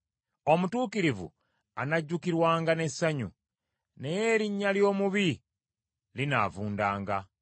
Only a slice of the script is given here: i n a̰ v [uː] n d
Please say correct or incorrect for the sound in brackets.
correct